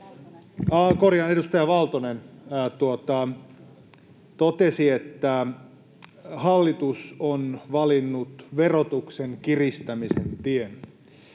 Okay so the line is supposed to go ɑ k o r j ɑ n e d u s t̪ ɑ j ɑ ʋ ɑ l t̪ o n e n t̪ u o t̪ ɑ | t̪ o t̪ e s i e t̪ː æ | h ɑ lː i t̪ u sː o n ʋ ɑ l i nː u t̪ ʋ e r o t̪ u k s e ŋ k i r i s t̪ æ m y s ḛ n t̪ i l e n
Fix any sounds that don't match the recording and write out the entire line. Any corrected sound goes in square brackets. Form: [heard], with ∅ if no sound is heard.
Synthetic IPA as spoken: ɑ k o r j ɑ n e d u s t̪ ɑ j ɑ ʋ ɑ l t̪ o n e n t̪ u o t̪ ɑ | t̪ o t̪ e s i e t̪ː æ | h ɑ lː i t̪ u [s] o n ʋ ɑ l i nː u t̪ ʋ e r o t̪ u k s e ŋ k i r i s t̪ æ m [i] s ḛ n t̪ i [∅] e n